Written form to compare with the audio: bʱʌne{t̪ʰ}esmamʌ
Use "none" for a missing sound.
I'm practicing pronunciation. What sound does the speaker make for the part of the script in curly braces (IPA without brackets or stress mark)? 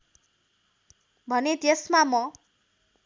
t̪